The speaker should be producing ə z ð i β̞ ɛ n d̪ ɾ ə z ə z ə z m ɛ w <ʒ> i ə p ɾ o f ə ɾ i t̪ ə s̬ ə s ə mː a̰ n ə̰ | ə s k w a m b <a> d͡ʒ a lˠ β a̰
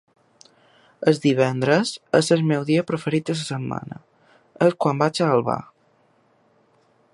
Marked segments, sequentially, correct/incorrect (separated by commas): incorrect, correct